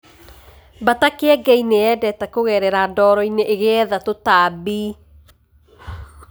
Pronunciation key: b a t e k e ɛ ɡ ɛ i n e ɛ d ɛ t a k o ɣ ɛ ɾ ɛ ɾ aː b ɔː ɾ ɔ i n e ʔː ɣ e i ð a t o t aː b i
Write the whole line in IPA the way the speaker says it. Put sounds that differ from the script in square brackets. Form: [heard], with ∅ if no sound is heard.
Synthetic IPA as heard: b a t [a] k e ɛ ɡ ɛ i n e ɛ d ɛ t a k o ɣ ɛ ɾ ɛ ɾ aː [d] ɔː ɾ ɔ i n e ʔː ɣ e [ɛ] ð a t o t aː b i